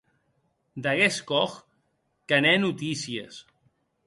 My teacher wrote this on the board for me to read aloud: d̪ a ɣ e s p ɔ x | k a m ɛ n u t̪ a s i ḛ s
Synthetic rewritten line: d̪ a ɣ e s k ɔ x | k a n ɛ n u t̪ i s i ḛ s